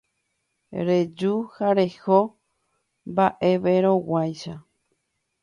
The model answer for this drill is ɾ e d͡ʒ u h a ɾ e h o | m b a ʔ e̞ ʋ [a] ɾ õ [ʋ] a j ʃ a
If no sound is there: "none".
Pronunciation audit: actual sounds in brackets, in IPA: e, w

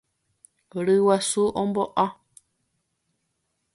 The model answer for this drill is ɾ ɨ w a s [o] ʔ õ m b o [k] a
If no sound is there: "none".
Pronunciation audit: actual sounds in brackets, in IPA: u, ʔ

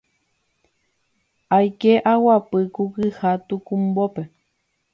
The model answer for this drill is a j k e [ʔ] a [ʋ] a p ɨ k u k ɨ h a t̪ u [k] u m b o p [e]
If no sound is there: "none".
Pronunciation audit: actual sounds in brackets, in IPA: ʔ, w, k, e

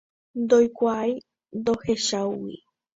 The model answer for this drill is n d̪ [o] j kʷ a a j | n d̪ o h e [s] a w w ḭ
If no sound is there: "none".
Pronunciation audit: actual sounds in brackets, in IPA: o, ʃ

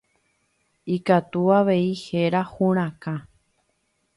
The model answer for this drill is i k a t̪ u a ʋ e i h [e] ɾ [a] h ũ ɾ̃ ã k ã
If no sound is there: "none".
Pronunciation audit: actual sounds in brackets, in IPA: e, a

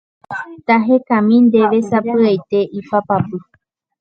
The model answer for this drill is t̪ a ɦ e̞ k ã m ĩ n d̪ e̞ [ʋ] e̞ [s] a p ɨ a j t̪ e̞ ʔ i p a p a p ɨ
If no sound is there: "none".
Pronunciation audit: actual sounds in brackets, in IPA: ʋ, s

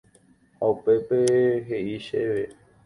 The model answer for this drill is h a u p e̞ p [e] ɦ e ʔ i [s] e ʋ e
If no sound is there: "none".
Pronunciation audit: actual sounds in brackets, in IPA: e, ʃ

